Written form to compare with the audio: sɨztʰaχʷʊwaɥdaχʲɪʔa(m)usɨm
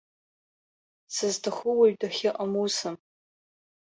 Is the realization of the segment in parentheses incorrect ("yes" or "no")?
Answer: no